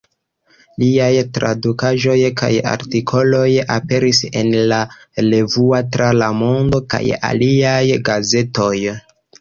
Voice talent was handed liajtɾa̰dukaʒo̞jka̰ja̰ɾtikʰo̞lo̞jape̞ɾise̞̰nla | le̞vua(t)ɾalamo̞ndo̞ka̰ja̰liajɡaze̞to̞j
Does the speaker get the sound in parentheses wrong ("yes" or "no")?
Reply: no